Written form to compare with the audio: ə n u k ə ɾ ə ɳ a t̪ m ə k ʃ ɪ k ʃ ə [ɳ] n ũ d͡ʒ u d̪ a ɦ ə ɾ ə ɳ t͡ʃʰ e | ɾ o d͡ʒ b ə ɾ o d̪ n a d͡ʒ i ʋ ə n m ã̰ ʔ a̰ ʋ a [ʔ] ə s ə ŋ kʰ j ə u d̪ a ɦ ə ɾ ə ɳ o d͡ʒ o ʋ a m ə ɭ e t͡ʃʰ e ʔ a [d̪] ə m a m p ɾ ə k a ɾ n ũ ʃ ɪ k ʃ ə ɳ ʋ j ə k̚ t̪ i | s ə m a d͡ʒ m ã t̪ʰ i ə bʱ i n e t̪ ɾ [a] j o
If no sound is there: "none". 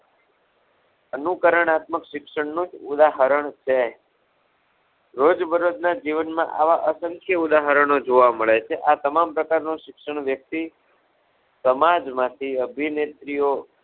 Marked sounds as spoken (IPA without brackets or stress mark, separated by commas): ɳ, ʔ, t̪, i